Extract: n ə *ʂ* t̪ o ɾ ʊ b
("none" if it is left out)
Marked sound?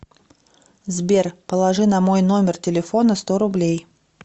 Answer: s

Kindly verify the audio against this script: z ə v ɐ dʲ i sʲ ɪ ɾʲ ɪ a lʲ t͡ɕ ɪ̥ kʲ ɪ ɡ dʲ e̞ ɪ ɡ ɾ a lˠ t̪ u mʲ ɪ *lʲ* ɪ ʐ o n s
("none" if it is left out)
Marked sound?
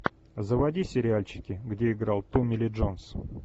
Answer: lʲ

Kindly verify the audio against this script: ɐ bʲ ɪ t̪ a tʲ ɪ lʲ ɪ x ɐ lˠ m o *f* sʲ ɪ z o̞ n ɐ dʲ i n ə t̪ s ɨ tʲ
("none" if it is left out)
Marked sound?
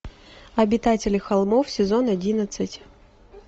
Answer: f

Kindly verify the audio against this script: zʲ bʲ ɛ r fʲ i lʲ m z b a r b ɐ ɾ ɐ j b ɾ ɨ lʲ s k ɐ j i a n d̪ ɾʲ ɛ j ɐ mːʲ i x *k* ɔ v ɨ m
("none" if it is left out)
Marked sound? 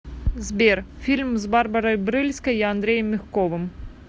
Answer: k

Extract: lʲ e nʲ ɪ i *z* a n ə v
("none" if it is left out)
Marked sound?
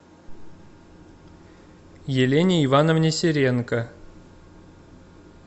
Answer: v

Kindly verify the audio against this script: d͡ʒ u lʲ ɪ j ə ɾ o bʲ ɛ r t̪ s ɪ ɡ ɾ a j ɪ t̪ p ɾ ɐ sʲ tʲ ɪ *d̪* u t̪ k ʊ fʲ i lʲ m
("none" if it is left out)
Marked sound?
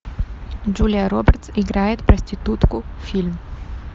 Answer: t̪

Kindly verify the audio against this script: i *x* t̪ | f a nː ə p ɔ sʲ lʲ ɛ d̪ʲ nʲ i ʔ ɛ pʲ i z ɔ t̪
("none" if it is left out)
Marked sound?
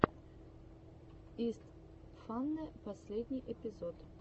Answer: s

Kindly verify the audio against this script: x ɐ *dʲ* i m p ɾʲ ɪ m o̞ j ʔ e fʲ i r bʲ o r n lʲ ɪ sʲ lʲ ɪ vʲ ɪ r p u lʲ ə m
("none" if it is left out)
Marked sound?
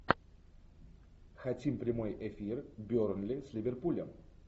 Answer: tʲ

